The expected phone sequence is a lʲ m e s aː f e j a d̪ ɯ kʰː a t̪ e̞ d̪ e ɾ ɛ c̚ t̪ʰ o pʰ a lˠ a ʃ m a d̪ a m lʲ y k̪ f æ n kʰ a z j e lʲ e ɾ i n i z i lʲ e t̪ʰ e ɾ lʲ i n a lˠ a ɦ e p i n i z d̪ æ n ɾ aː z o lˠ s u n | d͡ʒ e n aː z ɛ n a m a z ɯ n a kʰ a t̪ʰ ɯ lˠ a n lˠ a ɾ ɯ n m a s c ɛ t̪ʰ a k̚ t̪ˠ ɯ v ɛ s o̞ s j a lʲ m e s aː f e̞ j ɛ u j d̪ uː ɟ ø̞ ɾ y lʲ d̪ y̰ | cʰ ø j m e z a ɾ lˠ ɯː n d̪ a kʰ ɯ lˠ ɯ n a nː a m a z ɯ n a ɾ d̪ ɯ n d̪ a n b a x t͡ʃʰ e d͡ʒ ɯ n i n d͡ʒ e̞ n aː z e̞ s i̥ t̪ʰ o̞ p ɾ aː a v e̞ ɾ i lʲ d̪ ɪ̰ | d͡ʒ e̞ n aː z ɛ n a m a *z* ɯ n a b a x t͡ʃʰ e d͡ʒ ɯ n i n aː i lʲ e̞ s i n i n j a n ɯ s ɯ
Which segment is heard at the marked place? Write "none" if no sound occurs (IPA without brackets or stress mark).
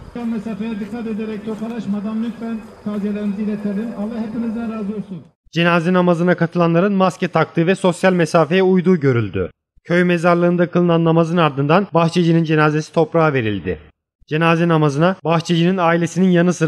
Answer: z